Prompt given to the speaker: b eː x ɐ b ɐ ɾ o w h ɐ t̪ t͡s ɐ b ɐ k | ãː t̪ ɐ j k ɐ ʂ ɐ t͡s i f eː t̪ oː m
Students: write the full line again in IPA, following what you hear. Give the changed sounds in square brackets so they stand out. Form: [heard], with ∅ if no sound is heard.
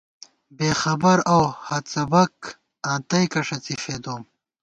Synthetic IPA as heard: b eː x ɐ b ɐ ɾ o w h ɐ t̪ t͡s ɐ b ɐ k | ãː t̪ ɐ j k ɐ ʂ ɐ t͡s i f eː [d̪] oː m